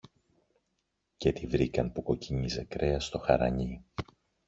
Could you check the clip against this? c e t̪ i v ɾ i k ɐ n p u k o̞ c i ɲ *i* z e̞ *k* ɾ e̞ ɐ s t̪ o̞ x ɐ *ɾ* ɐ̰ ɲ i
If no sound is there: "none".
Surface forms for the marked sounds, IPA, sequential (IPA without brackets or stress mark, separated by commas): i, k, ɾ